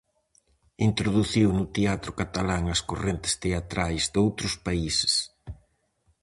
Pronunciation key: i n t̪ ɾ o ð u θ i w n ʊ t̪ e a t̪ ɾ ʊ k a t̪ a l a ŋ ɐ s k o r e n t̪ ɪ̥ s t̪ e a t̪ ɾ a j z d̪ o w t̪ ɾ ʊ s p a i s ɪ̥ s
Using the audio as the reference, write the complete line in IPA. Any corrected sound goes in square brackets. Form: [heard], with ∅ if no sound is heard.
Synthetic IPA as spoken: i n t̪ ɾ o ð u θ i w n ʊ t̪ e a t̪ ɾ ʊ k a t̪ a l a ŋ ɐ s k o r e n t̪ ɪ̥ s t̪ e a t̪ ɾ a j z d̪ o w t̪ ɾ ʊ s p a i s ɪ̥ s